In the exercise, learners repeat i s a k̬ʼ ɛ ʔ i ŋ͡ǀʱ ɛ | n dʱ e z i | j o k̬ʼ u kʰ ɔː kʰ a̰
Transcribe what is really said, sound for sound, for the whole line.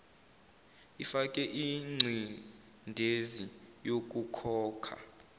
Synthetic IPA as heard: i f a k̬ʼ ɛ ʔ i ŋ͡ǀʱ i | n dʱ e z i | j o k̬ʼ u kʰ ɔː kʰ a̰